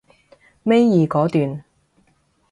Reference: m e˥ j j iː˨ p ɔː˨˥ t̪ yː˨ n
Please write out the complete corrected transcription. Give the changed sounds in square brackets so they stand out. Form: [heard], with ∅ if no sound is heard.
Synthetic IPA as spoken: m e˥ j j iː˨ [k] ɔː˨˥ t̪ yː˨ n